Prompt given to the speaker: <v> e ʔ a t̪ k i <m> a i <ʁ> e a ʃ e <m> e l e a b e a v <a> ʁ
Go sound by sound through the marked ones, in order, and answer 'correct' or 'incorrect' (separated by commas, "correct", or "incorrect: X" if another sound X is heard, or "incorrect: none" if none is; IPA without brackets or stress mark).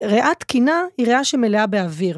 incorrect: ʁ, incorrect: n, correct, correct, incorrect: i